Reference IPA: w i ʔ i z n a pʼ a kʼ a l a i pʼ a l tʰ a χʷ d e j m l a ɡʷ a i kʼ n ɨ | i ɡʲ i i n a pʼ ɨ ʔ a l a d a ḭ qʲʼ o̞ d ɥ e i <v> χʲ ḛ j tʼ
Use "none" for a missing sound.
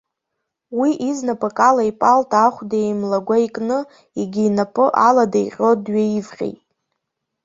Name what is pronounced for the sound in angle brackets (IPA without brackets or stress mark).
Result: v